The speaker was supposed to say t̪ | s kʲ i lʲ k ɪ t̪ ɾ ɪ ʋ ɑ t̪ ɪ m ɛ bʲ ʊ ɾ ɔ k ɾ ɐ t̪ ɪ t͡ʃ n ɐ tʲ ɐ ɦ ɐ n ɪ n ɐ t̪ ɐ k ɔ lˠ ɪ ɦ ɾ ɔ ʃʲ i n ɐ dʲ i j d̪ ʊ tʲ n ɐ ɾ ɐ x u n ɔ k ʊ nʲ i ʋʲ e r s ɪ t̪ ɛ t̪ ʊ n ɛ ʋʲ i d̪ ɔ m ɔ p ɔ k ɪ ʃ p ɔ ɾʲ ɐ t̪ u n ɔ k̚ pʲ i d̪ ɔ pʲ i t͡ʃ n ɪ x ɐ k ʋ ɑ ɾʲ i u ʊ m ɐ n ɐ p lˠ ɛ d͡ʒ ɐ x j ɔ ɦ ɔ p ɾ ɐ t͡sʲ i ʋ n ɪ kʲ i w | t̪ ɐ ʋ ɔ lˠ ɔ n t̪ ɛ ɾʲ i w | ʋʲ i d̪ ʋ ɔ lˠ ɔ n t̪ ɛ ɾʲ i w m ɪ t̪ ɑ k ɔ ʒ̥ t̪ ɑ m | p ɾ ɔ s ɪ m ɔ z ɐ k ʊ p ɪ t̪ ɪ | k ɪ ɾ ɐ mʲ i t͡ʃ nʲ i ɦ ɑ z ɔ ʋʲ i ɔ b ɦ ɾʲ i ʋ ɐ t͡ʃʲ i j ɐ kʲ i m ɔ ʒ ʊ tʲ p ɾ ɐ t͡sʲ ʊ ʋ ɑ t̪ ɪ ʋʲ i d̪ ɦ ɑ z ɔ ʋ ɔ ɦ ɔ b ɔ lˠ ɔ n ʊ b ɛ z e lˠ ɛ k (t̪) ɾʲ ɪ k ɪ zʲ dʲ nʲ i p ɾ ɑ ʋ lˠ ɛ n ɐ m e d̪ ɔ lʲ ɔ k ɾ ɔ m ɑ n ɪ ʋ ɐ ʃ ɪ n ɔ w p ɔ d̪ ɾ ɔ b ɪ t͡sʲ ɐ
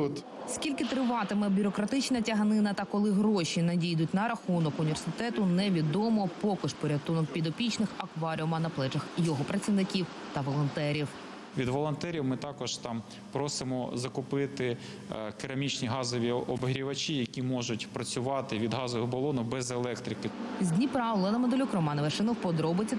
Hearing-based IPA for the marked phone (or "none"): t̪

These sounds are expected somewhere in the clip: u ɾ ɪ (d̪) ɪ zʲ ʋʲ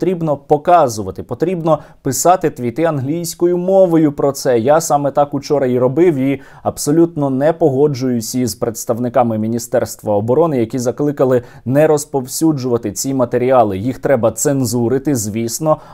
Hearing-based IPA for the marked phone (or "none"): t̪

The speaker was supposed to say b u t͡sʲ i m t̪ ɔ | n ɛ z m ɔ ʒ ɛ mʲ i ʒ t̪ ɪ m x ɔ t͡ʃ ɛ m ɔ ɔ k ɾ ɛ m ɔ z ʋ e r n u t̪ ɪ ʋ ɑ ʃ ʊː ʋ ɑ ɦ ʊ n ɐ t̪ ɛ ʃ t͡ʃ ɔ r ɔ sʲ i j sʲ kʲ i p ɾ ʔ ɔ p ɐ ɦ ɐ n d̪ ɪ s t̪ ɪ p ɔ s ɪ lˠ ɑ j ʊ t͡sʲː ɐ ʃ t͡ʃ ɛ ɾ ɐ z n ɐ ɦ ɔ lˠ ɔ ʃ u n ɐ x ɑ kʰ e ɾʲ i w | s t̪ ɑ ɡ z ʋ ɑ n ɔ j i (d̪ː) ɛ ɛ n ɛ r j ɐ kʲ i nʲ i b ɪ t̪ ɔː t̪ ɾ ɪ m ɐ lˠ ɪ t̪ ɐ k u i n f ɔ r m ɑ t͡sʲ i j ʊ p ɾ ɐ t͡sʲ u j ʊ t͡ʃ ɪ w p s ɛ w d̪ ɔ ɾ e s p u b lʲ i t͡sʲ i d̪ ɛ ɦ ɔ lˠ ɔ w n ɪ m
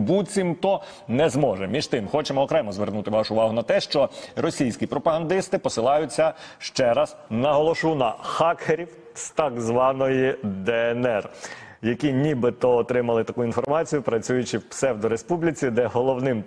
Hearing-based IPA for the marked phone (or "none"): d̪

